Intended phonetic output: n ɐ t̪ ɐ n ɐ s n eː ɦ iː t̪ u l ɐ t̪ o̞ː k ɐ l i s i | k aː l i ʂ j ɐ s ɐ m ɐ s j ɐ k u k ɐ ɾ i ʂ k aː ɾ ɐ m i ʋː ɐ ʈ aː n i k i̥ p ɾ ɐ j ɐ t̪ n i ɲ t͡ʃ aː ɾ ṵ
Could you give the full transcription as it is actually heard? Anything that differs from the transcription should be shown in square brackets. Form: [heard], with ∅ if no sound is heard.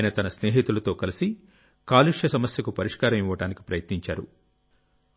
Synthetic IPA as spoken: n ɐ t̪ ɐ n ɐ s n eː ɦ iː t̪ u l ɐ t̪ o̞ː k ɐ l i s i | k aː l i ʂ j ɐ s ɐ m ɐ s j ɐ k u [p] ɐ ɾ i ʂ k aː ɾ ɐ m i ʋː ɐ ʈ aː n i k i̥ p ɾ ɐ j ɐ t̪ n i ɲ t͡ʃ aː ɾ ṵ